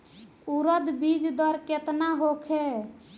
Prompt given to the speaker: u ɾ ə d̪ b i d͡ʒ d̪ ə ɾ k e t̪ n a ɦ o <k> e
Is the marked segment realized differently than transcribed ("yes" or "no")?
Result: yes